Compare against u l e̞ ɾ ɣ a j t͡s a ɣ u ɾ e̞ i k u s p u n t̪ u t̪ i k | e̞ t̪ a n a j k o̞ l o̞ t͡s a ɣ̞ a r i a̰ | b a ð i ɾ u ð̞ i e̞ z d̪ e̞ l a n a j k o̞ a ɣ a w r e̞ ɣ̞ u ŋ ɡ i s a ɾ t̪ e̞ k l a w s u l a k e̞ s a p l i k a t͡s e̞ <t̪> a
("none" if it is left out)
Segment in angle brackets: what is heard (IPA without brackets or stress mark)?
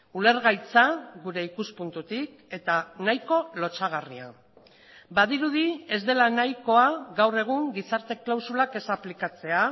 none